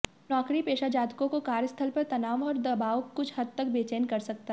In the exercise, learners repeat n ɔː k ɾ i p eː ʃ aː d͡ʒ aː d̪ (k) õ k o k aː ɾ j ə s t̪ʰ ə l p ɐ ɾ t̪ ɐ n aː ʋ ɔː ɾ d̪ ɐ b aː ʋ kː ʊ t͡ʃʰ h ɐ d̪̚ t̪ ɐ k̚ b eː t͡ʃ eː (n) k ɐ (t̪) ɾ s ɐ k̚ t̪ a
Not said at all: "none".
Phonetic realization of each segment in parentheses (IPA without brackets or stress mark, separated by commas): k, n, none